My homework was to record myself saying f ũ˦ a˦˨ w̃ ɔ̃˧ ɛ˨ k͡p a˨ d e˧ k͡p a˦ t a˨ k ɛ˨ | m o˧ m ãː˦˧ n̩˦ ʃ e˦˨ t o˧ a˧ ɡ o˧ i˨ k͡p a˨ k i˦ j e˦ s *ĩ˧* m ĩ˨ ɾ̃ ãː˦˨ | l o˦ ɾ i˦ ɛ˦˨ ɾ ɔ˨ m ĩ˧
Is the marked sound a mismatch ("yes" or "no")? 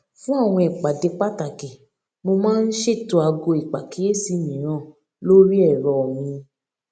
yes